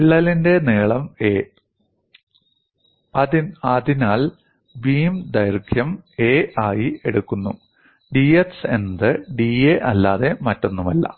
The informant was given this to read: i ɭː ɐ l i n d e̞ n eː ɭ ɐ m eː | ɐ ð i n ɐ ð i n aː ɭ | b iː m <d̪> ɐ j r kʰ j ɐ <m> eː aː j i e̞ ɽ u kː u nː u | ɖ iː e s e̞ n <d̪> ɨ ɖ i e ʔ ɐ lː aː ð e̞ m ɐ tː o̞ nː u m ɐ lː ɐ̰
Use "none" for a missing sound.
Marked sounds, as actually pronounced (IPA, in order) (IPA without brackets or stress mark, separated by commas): d̪, m, d̪